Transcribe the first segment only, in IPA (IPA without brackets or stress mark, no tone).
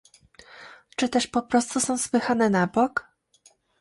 t͡ʂ